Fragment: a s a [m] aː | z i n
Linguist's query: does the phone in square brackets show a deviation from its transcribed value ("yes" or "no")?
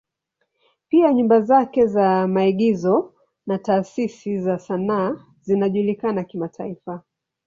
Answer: yes